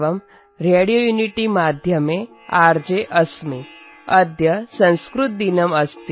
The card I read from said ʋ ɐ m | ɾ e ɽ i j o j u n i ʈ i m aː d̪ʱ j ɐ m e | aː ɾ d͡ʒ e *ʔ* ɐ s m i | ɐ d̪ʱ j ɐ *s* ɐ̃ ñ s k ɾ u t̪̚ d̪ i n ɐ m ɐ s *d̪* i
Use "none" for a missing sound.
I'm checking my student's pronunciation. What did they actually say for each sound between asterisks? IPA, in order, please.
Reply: ʔ, s, t̪

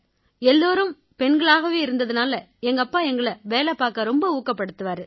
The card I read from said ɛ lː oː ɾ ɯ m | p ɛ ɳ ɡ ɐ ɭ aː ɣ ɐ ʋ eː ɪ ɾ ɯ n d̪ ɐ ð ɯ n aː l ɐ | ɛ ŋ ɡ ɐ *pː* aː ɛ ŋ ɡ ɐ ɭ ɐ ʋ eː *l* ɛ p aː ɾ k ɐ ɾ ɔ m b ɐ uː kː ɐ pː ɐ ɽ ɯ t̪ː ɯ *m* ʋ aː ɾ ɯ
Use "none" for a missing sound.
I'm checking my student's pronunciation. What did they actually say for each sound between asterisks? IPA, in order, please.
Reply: pː, l, none

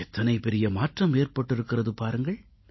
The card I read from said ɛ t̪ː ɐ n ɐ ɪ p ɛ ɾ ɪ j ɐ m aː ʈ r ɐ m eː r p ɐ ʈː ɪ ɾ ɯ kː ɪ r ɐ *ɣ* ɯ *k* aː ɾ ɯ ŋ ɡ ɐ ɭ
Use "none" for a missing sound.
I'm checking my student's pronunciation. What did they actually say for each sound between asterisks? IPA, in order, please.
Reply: ð, p

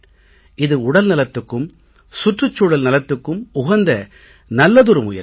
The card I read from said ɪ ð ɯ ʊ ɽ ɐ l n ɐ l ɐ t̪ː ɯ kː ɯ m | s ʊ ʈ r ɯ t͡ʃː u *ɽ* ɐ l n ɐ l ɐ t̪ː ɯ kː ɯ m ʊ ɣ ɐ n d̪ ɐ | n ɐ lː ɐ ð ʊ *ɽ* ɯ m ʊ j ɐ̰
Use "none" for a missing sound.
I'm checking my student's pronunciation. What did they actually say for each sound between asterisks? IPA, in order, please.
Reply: ɽ, ɾ

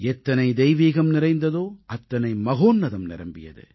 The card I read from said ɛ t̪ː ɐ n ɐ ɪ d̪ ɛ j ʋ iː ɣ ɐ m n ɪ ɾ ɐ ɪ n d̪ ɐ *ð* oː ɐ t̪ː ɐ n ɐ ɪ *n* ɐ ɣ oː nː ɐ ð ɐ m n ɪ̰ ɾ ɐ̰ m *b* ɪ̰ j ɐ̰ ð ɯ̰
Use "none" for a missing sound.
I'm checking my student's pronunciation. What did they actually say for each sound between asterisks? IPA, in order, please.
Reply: ð, m, b

